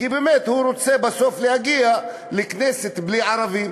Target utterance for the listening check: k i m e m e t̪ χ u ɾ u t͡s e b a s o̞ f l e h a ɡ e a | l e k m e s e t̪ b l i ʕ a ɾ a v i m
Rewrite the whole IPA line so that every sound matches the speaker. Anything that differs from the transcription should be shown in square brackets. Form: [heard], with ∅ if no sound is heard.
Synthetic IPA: k i [b] e m e t̪ [h] u ɾ [o] t͡s e b a s o̞ f l e h a ɡ [i] a | l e k [n] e s e t̪ b l i ʕ a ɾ a v i m